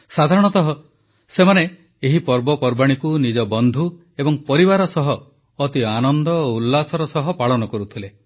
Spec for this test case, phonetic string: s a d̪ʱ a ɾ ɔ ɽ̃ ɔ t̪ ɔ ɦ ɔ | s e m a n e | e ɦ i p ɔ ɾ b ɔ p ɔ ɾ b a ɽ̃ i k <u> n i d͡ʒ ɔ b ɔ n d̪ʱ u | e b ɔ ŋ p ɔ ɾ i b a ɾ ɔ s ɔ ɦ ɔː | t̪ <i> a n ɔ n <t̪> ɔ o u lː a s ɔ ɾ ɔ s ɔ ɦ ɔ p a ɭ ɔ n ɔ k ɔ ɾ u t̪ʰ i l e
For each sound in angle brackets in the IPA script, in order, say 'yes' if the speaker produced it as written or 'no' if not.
yes, yes, no

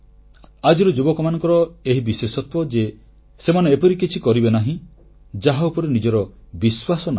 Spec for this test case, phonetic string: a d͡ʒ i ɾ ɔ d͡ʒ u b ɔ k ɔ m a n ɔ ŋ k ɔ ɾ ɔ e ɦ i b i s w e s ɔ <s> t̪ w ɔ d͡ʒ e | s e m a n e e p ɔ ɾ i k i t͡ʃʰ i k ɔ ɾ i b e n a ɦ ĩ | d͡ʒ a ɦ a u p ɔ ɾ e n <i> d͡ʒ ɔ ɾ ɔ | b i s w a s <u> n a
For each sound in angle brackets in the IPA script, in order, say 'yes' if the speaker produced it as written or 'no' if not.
no, yes, no

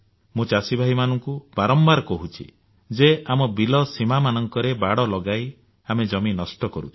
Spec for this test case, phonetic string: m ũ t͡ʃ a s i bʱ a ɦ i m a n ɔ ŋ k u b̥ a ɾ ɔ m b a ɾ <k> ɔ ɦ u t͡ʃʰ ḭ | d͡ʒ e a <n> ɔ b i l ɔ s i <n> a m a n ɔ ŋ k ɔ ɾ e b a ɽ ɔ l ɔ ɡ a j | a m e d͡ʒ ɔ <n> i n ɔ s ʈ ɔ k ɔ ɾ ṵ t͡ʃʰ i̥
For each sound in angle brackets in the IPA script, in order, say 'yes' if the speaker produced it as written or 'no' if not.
yes, no, no, no

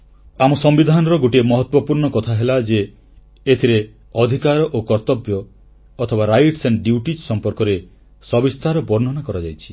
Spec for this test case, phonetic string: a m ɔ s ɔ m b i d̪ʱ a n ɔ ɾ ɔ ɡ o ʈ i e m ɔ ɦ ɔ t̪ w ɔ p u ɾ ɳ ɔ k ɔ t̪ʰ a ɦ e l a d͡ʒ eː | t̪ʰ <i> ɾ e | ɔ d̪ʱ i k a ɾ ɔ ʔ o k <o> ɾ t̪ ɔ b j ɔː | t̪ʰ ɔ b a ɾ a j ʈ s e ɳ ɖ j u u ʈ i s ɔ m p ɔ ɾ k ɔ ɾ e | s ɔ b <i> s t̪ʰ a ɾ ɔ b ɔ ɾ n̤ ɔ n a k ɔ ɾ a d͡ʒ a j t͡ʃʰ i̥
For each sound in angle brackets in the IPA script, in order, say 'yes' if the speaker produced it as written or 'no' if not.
yes, no, yes

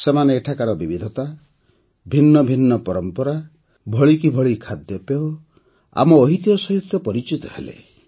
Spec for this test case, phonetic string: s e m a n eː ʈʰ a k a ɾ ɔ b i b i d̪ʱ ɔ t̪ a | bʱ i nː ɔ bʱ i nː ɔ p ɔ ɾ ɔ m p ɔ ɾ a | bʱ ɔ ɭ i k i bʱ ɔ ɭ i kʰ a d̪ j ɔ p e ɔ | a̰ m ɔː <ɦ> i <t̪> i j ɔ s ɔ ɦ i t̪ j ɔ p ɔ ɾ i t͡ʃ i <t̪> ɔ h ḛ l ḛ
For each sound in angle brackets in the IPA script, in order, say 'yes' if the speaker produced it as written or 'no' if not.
yes, yes, yes

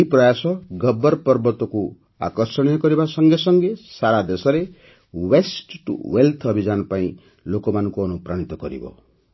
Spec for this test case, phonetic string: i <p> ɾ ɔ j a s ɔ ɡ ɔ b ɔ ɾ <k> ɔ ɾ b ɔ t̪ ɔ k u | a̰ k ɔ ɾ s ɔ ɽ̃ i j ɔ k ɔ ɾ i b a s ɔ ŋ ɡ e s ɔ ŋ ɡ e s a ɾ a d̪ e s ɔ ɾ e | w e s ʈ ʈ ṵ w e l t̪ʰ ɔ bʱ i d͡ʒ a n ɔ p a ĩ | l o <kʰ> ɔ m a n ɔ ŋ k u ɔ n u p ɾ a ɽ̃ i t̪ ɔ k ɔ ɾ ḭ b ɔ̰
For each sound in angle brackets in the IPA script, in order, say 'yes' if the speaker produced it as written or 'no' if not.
yes, no, no

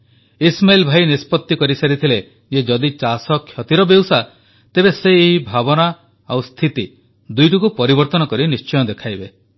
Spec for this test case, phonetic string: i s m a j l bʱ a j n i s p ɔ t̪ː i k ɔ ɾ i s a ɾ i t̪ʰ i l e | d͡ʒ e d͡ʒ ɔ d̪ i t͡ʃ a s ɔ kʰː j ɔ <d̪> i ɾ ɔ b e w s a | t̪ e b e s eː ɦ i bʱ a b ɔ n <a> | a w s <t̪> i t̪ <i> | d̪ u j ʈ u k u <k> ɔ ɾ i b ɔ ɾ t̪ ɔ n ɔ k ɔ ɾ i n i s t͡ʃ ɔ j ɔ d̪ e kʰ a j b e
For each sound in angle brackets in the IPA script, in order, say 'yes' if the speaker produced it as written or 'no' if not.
no, yes, no, yes, no

